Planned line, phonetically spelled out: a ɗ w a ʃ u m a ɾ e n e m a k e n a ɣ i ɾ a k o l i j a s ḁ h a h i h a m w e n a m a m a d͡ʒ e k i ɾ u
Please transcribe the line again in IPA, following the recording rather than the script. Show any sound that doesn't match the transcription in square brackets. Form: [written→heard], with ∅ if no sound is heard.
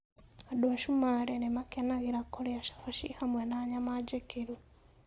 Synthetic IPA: a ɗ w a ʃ u m a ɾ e n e m a k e n a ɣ i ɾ a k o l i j a [s→ʃ] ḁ [h→f] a [h→ʃ] i h a m w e n a [m→ɲ] a m a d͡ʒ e k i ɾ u